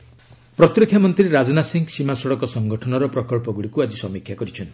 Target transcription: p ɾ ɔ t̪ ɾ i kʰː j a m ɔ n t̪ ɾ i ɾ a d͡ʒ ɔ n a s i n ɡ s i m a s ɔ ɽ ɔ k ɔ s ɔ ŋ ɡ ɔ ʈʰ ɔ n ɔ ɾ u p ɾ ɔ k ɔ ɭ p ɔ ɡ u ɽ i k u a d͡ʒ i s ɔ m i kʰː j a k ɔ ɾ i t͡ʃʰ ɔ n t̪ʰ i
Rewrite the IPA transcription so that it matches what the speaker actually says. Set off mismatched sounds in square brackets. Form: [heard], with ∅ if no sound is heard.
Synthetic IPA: p ɾ ɔ t̪ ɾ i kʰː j a m ɔ n t̪ ɾ i ɾ a d͡ʒ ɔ n a s i [ŋ] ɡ s i m a s ɔ ɽ ɔ k ɔ s ɔ ŋ ɡ ɔ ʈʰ ɔ n ɔ ɾ [ɔ] p ɾ ɔ k ɔ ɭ p ɔ ɡ u ɽ i k u a d͡ʒ i s ɔ m i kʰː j a k ɔ ɾ i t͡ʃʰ ɔ n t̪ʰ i